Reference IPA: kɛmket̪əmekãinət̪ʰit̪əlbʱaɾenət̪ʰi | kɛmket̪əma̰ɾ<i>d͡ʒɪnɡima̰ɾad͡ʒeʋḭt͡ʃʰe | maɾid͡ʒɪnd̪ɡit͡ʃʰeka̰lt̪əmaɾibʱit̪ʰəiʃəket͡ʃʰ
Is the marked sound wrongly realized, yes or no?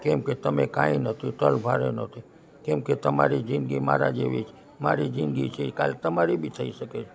no